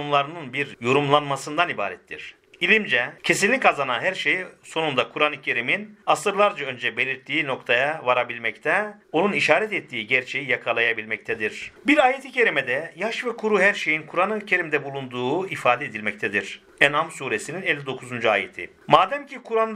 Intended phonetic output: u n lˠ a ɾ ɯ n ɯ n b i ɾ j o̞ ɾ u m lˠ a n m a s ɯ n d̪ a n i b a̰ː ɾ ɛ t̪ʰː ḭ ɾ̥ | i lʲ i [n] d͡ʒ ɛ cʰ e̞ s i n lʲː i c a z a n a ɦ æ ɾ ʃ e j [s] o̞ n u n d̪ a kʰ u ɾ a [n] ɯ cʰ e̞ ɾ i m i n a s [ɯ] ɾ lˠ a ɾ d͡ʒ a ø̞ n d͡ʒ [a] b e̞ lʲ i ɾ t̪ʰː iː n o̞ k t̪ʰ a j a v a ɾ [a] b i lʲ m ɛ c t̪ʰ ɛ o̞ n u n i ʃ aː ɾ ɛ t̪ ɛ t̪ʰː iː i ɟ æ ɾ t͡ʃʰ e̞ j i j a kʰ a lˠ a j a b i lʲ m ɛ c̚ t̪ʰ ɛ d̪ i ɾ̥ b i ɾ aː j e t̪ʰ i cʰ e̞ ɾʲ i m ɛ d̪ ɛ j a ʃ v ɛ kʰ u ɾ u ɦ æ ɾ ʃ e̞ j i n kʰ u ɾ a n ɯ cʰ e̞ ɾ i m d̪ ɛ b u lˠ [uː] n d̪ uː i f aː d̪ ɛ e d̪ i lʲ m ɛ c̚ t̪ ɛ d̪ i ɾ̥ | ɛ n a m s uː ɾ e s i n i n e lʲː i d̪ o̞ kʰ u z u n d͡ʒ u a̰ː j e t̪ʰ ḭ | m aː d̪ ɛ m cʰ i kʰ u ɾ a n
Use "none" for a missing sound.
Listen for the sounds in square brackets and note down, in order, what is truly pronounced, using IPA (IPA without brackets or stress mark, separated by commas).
m, s, n, ɯ, ɛ, a, u